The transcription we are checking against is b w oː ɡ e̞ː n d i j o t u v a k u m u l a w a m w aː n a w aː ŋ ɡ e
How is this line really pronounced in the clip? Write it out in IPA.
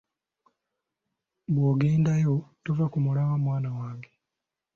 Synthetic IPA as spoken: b w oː ɡ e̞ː n d a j o t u v a k u m u l a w a m w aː n a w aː ŋ ɡ e